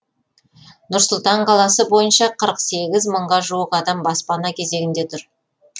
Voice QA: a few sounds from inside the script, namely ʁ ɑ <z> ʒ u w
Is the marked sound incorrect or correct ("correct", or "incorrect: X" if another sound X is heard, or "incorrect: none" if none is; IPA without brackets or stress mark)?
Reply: incorrect: none